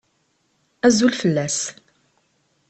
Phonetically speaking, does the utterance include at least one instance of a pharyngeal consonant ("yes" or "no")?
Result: no